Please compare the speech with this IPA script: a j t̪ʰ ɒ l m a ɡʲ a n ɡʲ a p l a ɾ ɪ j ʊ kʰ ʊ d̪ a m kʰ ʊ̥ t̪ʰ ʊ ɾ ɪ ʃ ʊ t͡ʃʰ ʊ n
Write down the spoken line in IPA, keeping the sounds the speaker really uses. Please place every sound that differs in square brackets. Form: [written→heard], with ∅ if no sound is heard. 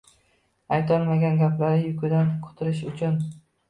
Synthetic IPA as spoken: a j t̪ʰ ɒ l m a ɡʲ a n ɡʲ a p l a ɾ ɪ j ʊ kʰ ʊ d̪ a [m→n] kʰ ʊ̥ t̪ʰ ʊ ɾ ɪ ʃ ʊ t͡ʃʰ ʊ n